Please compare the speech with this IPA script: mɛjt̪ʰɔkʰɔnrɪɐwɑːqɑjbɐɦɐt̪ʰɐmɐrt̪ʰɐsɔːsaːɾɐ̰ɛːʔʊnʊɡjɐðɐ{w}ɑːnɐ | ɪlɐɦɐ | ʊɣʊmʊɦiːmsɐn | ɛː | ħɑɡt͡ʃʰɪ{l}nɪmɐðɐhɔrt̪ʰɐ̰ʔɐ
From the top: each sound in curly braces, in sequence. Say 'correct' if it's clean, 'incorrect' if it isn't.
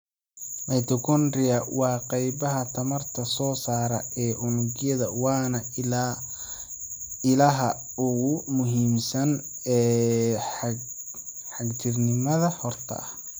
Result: correct, incorrect: r

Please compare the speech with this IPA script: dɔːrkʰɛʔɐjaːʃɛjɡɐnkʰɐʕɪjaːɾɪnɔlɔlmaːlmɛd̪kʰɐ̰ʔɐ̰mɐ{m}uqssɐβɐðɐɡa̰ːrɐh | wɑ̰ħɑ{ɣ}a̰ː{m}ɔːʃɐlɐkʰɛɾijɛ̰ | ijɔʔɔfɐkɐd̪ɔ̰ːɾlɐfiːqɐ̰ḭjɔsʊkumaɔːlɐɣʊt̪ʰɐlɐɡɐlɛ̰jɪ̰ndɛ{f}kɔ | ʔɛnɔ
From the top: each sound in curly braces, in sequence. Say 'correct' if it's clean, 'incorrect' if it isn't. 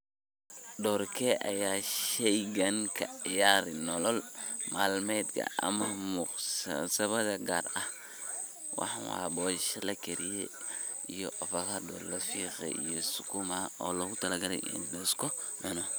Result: correct, incorrect: w, incorrect: b, incorrect: s

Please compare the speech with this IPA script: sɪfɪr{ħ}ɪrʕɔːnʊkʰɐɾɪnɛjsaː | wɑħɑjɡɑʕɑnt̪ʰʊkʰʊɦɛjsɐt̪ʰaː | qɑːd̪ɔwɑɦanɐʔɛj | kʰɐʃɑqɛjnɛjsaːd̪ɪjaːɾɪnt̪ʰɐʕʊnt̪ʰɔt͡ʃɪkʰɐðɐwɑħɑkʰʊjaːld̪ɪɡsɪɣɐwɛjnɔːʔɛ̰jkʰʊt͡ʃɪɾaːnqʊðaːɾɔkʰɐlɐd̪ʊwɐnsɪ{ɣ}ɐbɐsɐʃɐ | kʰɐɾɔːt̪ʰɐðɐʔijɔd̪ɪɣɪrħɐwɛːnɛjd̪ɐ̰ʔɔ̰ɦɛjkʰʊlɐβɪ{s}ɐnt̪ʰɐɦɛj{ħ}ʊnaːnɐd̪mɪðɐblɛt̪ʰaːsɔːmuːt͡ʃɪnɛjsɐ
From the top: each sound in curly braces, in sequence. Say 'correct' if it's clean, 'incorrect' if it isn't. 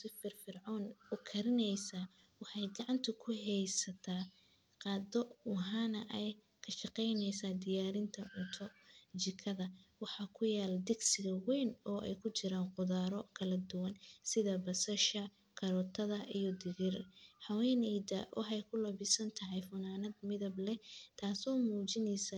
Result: incorrect: f, incorrect: ð, correct, incorrect: f

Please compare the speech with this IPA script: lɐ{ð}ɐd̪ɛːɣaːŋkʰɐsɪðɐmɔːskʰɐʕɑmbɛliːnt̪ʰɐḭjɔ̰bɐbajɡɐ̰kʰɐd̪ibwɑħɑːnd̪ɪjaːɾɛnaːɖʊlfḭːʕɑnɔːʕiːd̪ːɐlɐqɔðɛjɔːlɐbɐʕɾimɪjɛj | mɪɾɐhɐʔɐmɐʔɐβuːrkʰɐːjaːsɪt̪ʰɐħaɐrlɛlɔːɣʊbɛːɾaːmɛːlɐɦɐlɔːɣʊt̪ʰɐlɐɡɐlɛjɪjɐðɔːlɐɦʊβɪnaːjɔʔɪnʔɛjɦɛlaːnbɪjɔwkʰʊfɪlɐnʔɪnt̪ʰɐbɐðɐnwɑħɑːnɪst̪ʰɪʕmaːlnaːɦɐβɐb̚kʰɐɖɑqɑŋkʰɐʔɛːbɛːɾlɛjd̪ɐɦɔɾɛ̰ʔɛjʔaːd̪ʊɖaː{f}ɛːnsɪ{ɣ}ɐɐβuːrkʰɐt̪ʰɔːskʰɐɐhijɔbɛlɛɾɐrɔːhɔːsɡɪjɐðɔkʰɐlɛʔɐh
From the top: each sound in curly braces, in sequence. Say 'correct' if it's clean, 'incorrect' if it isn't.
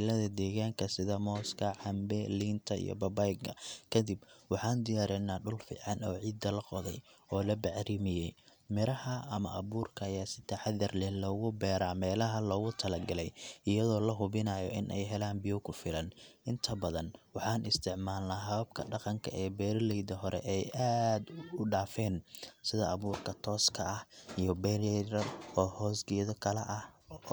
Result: correct, correct, incorrect: ð

